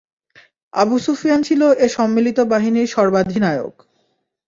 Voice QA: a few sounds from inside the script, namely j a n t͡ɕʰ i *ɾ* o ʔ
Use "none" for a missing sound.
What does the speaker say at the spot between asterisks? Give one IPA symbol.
l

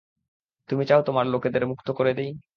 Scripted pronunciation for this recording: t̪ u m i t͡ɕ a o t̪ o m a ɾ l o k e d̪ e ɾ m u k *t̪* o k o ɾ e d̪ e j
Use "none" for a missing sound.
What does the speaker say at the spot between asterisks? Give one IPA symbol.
t̪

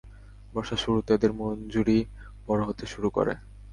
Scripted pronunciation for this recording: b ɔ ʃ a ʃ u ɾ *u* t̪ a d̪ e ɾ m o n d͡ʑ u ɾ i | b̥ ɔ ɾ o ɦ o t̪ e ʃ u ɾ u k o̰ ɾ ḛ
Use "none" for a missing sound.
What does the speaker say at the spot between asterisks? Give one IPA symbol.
u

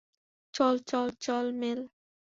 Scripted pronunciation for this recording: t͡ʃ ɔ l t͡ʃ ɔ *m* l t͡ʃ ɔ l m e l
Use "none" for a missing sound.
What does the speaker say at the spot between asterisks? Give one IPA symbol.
none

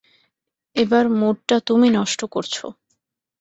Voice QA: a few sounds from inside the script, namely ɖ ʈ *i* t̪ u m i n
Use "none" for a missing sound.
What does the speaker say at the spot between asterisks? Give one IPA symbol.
a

